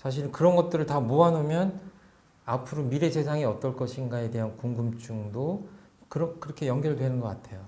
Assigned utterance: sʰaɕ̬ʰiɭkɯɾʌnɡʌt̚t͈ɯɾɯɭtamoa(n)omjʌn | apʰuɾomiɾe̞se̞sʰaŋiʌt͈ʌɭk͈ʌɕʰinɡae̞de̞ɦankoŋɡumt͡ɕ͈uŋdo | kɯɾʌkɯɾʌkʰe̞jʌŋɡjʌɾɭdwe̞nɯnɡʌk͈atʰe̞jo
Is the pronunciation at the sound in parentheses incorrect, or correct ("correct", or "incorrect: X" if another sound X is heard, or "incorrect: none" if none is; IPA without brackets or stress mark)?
correct